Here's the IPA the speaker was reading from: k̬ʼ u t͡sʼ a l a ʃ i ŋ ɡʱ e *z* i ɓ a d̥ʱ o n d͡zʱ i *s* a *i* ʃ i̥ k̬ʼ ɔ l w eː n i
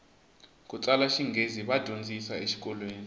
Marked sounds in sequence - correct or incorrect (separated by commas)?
correct, correct, incorrect